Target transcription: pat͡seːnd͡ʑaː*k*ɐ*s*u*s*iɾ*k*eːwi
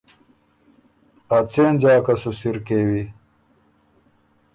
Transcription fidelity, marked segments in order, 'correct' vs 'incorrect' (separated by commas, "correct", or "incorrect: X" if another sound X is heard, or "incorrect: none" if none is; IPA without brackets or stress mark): correct, correct, correct, correct